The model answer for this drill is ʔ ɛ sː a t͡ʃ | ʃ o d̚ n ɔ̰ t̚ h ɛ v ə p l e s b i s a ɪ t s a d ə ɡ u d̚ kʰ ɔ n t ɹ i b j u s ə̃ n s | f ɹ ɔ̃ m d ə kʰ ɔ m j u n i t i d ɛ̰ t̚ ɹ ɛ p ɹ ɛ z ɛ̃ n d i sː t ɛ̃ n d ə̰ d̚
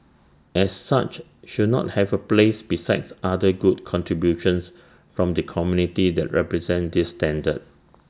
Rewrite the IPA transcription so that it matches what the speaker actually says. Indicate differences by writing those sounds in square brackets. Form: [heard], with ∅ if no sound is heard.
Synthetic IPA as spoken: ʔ ɛ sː a t͡ʃ | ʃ [u] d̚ n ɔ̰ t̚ h ɛ v ə p l e s b i s a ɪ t s a d ə ɡ u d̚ kʰ [ɔ̃] n t ɹ i b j u [ʃ] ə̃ n s | f ɹ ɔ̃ m d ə kʰ ɔ m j u n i t i d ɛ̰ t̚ ɹ ɛ p ɹ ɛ z ɛ̃ n d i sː t ɛ̃ n d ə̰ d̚